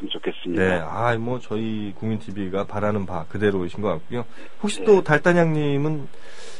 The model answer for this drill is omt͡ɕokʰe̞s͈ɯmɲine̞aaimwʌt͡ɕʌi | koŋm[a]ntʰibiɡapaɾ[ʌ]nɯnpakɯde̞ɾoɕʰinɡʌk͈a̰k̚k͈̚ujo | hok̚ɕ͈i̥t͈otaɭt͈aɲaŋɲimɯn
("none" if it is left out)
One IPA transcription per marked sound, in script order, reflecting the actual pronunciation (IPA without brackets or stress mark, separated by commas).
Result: i, a